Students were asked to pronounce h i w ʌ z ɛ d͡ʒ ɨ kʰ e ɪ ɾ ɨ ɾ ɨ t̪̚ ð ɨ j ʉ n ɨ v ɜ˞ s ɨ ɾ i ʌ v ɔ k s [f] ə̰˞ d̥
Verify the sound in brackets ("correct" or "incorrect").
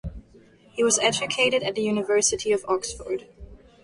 correct